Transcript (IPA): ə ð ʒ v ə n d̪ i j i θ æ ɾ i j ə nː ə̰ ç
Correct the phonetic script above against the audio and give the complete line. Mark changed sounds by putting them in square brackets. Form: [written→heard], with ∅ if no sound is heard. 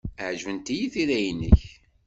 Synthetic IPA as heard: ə [ð→ʕ] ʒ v ə n [d̪→t̪] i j i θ [æ→i] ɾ [i→æ] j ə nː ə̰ ç